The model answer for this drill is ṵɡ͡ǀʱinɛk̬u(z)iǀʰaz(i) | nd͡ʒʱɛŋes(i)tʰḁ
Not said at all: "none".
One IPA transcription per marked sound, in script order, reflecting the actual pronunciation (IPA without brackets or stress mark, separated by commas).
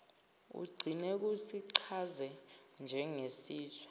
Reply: s, ɛ, iː